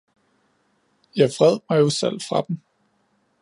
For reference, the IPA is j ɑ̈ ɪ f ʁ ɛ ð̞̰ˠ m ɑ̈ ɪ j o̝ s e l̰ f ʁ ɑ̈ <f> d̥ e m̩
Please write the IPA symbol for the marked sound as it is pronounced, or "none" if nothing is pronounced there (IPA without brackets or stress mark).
none